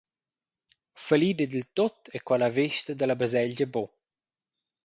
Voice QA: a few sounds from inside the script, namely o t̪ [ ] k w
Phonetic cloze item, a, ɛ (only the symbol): ɛ